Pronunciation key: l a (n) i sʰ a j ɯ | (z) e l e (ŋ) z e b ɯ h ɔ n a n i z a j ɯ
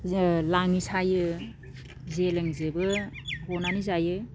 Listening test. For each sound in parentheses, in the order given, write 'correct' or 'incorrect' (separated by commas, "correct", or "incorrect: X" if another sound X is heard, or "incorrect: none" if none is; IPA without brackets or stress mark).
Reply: incorrect: ŋ, correct, correct